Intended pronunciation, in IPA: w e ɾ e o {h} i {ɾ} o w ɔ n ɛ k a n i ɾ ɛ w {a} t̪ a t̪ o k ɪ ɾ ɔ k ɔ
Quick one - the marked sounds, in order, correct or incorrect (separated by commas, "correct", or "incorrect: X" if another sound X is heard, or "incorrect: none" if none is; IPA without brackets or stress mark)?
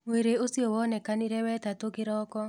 incorrect: s, incorrect: none, incorrect: ɛ